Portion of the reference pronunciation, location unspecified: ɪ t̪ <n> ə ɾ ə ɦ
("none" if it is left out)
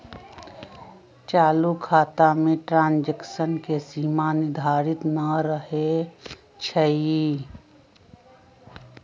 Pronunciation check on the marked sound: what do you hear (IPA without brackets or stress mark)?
n